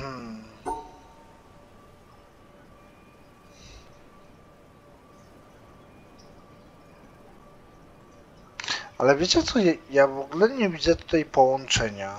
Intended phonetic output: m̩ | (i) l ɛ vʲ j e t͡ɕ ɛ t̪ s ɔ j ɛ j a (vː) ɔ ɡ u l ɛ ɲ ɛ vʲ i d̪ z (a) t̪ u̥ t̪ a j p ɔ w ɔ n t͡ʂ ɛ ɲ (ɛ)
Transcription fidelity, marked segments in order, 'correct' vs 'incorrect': incorrect, incorrect, incorrect, incorrect

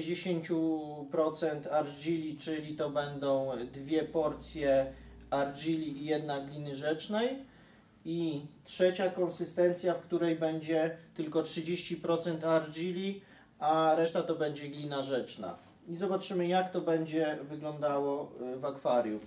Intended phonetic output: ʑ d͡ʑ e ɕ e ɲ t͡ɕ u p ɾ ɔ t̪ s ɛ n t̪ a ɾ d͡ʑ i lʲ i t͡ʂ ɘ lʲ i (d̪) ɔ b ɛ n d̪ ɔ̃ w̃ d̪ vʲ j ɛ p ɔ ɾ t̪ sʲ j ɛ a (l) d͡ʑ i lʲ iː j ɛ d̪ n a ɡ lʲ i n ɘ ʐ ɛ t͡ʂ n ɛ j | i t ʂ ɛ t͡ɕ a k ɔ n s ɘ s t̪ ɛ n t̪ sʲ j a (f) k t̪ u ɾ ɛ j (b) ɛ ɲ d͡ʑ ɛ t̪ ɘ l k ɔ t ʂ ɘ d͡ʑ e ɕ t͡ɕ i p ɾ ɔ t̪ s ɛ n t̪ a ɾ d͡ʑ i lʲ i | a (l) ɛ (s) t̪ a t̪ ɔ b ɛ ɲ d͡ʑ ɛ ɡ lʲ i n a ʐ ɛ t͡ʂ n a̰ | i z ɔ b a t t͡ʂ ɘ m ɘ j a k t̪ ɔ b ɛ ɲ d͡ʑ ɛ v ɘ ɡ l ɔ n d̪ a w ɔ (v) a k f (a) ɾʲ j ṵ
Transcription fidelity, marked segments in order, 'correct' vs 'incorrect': incorrect, incorrect, correct, correct, incorrect, incorrect, correct, correct

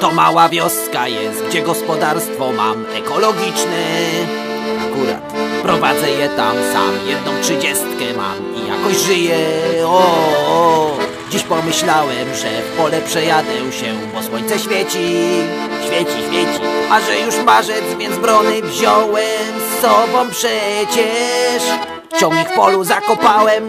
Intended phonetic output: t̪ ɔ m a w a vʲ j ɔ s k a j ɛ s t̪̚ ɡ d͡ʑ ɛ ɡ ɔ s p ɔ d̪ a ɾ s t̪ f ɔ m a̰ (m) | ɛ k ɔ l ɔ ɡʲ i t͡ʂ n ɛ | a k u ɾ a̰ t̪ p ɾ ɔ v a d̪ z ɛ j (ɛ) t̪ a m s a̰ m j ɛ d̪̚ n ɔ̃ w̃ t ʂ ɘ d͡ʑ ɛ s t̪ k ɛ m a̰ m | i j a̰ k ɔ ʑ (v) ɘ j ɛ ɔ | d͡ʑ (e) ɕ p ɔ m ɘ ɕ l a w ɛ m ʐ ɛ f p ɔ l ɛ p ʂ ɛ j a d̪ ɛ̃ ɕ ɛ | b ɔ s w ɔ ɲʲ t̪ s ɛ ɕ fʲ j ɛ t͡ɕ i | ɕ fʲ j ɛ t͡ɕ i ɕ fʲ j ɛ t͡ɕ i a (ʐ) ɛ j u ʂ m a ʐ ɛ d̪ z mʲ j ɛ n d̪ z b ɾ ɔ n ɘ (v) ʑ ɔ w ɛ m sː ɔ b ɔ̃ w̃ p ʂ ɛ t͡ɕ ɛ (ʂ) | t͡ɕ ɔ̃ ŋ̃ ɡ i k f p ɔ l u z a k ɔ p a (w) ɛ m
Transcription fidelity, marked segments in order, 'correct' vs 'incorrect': correct, correct, incorrect, incorrect, correct, correct, correct, correct

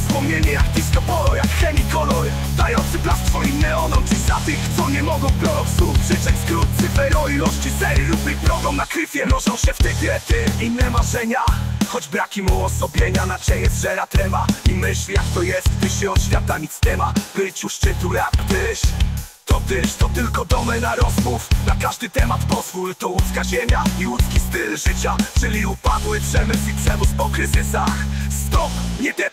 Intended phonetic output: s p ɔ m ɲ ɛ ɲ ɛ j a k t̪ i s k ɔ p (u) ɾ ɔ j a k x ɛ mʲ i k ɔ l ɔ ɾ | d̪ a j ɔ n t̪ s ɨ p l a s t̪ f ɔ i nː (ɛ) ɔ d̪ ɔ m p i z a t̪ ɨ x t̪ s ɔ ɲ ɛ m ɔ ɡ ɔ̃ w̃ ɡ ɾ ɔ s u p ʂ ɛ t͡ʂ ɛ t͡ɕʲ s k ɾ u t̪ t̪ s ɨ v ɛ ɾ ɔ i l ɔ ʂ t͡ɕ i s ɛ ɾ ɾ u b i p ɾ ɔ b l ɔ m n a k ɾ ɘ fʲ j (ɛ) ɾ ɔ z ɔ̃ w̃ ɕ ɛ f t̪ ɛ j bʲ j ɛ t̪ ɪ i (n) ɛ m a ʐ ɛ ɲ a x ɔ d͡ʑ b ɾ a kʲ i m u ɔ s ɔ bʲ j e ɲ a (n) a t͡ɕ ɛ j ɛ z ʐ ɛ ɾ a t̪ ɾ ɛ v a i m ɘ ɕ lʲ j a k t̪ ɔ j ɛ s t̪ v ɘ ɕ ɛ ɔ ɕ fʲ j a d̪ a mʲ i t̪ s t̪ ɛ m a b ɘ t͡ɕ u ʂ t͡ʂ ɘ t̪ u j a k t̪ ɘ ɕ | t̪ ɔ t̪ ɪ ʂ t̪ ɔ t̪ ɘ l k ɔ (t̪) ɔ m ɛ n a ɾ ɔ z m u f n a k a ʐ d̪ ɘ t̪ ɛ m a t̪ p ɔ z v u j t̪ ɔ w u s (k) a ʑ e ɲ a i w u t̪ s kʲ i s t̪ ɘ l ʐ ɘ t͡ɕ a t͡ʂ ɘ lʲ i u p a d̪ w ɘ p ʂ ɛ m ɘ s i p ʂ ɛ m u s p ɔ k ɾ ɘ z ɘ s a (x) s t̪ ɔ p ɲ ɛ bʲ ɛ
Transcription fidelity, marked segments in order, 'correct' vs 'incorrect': incorrect, correct, correct, incorrect, correct, incorrect, correct, correct

